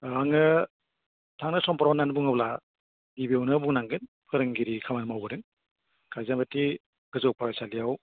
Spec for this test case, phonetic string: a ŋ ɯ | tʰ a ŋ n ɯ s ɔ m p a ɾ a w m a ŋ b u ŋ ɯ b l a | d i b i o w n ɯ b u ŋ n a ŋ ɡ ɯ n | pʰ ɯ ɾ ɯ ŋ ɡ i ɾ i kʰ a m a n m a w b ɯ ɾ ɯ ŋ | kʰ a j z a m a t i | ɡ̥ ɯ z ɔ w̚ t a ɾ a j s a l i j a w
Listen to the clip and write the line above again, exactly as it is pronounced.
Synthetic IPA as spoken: a ŋ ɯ | tʰ a ŋ n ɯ s ɔ m p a ɾ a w n a n b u ŋ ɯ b l a | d i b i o w n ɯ b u ŋ n a ŋ ɡ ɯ n | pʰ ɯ ɾ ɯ ŋ ɡ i ɾ i kʰ a m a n m a w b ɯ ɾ ɯ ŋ | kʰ a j z a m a t i | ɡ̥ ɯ z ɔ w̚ p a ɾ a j s a l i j a w